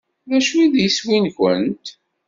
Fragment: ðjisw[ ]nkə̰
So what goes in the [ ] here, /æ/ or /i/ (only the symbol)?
i